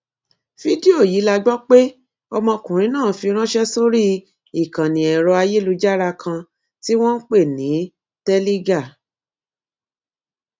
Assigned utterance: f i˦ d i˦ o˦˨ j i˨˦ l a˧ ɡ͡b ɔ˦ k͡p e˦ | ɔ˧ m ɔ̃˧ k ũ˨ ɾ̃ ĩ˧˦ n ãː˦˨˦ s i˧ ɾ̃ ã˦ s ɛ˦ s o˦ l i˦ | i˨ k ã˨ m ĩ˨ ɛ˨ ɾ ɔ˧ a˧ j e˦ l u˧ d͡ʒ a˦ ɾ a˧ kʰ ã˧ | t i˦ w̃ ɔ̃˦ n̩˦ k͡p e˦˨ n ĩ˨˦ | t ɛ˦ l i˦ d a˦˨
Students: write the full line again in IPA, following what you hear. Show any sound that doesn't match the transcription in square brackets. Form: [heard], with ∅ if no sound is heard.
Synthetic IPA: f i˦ d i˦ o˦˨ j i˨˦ l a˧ ɡ͡b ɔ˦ k͡p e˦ | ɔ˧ m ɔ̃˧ k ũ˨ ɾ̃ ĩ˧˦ n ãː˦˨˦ [f] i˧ ɾ̃ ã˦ [ʃ] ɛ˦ s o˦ [ɾ] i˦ | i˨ k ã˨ [n] ĩ˨ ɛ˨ ɾ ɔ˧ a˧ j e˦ l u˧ d͡ʒ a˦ ɾ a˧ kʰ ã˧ | t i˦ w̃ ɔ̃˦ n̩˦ k͡p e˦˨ n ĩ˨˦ | t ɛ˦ l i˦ [ɡ] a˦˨